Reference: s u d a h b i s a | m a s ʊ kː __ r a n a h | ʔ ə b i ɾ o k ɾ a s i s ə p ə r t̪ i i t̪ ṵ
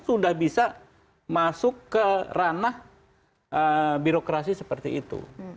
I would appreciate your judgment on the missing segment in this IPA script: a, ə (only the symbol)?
ə